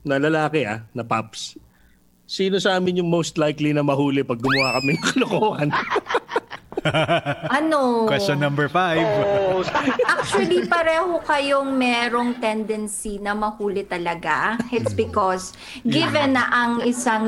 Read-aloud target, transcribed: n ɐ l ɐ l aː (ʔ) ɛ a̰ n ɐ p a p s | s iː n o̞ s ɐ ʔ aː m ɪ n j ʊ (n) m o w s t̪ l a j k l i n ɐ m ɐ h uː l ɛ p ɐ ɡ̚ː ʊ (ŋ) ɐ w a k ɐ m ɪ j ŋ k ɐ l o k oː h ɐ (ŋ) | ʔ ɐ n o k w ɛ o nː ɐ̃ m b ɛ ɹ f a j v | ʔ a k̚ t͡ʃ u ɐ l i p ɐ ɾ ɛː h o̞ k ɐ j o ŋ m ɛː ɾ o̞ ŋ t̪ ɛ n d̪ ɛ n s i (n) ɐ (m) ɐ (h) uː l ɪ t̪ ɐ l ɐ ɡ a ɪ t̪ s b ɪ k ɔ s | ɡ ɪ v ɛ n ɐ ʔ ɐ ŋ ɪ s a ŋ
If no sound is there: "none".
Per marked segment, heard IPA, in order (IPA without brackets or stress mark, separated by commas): k, ŋ, m, n, n, m, h